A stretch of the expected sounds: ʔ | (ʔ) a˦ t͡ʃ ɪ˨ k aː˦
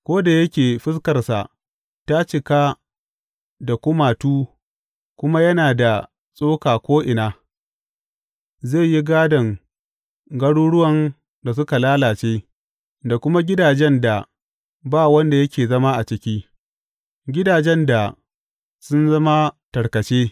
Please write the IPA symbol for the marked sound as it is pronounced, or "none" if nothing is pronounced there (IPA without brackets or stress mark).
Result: t